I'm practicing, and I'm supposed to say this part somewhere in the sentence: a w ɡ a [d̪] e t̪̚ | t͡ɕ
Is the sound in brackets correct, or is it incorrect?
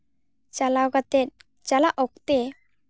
incorrect: t̪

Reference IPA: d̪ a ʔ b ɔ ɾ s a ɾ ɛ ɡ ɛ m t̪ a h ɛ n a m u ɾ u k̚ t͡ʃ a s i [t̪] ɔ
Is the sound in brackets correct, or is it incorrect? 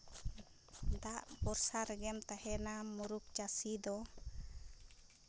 incorrect: d̪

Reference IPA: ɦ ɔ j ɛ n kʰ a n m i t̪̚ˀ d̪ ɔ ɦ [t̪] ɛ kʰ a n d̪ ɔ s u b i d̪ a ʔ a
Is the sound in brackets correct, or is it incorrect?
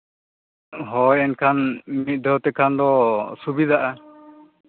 correct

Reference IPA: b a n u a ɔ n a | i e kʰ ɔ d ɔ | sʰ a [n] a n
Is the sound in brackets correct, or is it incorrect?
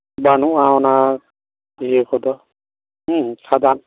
incorrect: d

